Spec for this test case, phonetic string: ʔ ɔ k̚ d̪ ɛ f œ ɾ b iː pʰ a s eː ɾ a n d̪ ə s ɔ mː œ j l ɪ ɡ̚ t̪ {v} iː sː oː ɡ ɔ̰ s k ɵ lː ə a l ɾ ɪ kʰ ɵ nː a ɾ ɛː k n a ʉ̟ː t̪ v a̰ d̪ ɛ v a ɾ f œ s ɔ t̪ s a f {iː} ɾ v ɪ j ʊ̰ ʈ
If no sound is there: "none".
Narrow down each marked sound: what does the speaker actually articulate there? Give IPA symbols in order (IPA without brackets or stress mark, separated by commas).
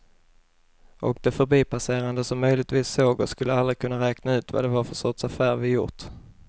v, æː